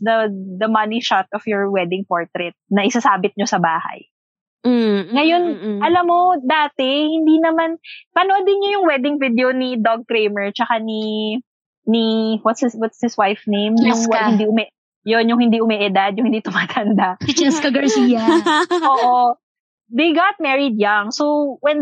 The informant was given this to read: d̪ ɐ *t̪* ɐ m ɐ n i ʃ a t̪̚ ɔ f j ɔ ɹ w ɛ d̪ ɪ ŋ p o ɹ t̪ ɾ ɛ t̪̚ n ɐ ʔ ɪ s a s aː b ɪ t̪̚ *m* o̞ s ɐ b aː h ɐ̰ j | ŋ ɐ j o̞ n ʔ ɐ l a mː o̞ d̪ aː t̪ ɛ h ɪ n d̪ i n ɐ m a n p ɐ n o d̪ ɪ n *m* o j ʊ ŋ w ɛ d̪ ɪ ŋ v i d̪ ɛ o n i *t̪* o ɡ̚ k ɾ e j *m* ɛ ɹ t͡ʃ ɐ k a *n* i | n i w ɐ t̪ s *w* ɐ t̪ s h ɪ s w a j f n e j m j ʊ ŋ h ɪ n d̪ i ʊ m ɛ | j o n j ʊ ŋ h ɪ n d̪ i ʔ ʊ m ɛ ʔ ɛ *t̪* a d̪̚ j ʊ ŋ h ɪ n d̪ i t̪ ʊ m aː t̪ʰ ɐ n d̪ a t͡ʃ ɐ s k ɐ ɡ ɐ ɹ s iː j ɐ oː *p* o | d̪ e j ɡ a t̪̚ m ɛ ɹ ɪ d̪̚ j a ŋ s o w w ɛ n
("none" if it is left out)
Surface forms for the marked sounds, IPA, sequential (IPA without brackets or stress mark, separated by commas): d̪, ɲ, ɲ, d̪, m, n, w, d̪, ʔ